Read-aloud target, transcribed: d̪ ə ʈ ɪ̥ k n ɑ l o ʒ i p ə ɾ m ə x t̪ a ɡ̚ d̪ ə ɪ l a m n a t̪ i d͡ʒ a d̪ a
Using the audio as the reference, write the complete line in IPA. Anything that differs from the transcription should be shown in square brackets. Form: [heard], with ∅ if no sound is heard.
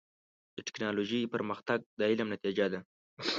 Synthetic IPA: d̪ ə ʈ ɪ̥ k n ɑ l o ʒ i p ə ɾ m ə x t̪ a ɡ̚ d̪ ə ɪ l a m n a t̪ i d͡ʒ a d̪ a